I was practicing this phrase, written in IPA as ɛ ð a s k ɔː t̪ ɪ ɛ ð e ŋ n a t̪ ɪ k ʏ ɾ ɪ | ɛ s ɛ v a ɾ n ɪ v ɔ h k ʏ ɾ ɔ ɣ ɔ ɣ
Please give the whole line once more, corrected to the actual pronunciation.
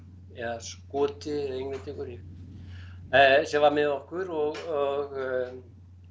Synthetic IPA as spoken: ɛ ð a s k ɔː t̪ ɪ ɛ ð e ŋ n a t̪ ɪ k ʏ ɾ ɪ | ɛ s ɛ v a ɾ m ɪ ð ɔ h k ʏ ɾ ɔ ɣ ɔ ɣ

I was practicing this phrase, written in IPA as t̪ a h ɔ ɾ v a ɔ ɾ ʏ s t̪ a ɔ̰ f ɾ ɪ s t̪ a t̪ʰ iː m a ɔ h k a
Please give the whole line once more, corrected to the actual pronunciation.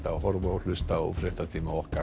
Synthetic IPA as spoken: t̪ a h ɔ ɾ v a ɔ l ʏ s t̪ a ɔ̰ f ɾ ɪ h t̪ a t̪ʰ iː m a ɔ h k a

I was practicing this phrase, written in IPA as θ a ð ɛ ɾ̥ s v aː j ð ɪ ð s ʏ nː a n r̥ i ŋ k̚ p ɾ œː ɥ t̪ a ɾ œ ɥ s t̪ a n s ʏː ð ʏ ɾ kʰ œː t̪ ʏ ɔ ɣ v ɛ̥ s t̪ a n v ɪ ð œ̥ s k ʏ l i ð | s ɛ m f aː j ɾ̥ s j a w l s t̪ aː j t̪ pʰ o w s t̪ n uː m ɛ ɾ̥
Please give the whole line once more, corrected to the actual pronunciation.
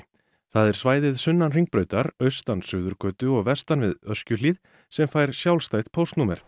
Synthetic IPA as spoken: θ a ð ɛ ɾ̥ s v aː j ð ɪ ð s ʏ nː a n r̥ i ŋ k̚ p ɾ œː ɥ t̪ a ɾ œ ɥ s t̪ a n s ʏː ð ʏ ɾ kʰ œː t̪ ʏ ɔ ɣ v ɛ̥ s t̪ a n v ɪ ð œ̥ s c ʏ l i ð | s ɛ m f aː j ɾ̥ s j a w l s t̪ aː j t̪ pʰ o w s t̪ n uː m ɛ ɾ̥

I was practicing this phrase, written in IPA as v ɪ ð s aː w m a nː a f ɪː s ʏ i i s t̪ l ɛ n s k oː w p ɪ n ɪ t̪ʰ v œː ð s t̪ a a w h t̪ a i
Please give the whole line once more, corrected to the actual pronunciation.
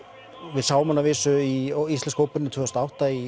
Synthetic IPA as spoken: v ɪ ð s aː w m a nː a v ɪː s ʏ i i s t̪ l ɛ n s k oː w p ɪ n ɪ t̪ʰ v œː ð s t̪ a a w h t̪ a i

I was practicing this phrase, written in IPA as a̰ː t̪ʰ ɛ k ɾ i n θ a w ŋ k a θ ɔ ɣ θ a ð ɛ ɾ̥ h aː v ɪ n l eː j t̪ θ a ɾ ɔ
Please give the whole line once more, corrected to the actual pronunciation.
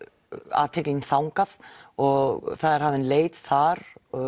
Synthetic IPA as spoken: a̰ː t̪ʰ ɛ k l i n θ a w ŋ k a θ ɔ ɣ θ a ð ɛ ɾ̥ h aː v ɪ n l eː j t̪ θ a ɾ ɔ

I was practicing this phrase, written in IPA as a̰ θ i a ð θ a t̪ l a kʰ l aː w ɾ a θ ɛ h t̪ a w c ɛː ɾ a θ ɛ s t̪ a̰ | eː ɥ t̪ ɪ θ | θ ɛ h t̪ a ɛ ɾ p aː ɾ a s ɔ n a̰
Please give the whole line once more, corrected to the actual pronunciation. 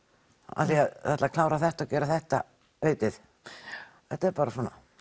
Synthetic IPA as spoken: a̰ θ i a ð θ a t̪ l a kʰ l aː w ɾ a θ ɛ h t̪ a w c ɛː ɾ a θ ɛ h t̪ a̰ | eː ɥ t̪ ɪ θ | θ ɛ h t̪ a ɛ ɾ p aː ɾ a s ɔ n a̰

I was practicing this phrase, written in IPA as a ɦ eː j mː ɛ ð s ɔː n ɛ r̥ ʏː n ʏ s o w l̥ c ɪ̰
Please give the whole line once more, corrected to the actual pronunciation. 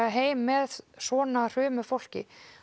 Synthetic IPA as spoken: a ɦ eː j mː ɛ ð s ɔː n a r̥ ʏː m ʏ f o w l̥ c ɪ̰

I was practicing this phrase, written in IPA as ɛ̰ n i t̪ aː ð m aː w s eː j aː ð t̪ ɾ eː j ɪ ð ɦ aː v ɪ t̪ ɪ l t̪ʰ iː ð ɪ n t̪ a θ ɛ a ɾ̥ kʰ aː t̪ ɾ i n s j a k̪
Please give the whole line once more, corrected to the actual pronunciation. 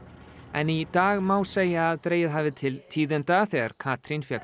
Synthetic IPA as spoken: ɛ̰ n i t̪ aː ɣ m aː w s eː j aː ð t̪ ɾ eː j ɪ ð ɦ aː v ɪ t̪ʰ ɪ l t̪ʰ iː ð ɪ n t̪ a θ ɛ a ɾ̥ kʰ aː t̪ ɾ i n f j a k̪

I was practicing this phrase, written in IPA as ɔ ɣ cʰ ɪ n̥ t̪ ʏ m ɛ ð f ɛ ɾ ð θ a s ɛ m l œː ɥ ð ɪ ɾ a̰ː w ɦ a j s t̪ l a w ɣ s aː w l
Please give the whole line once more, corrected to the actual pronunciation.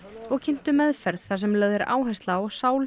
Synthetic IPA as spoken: ɔ ɣ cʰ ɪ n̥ t̪ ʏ m ɛ ð f ɛ ɾ ð θ a s ɛ m l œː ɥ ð ɪ ɾ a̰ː w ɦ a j s t̪ l a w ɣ s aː w l

